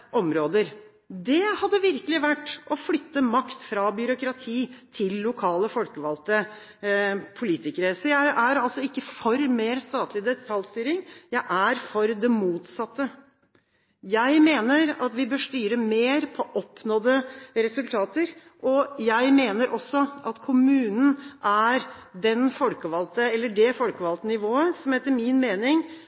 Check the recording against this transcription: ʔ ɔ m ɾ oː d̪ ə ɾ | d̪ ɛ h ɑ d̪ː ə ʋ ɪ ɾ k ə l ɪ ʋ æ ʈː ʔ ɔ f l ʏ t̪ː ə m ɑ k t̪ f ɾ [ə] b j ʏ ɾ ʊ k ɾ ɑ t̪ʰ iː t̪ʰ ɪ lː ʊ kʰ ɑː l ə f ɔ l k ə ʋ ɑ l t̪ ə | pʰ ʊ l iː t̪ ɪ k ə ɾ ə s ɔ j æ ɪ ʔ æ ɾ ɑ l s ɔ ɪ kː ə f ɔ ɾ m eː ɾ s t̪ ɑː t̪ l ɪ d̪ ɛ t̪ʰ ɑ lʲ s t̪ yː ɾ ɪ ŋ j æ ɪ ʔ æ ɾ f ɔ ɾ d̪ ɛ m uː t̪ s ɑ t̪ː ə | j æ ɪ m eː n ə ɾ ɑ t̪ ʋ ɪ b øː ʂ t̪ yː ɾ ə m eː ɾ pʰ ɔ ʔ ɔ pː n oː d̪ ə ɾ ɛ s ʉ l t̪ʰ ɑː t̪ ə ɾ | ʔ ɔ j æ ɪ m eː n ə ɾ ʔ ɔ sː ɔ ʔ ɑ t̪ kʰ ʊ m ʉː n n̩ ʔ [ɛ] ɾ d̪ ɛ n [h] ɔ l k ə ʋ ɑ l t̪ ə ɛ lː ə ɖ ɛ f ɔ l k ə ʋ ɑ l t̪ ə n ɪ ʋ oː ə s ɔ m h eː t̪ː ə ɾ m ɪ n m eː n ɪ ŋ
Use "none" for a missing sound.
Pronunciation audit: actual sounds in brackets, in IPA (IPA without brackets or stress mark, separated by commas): ɑ, æ, f